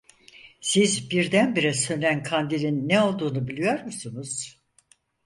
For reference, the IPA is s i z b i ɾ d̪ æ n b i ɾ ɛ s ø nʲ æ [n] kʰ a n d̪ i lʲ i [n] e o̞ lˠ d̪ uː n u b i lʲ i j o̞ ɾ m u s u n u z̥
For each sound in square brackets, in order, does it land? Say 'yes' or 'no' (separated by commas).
yes, no